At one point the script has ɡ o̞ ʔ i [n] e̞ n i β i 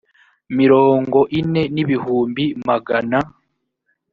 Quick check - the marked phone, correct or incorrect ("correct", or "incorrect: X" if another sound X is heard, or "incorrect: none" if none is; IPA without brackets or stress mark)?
correct